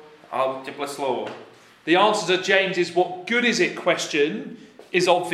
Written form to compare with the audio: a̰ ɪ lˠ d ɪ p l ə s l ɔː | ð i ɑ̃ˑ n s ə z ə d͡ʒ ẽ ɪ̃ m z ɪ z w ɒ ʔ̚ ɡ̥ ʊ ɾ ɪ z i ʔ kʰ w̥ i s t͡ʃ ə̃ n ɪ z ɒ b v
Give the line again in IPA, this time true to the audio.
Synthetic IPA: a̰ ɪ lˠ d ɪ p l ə s l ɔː | ð i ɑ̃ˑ n s ə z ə d͡ʒ ẽ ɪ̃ m z ɪ z w ɒ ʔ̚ ɡ̥ ʊ ɾ ɪ z ɪ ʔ kʰ w̥ ɛ s t͡ʃ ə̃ n ɪ z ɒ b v